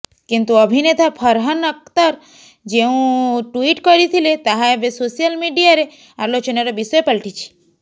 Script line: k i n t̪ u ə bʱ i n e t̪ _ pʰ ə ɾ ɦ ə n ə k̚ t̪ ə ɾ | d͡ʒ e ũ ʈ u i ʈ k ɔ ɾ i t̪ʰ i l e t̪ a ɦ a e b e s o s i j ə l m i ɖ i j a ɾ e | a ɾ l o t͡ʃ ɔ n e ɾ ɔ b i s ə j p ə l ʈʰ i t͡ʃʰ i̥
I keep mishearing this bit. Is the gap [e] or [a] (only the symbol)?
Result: a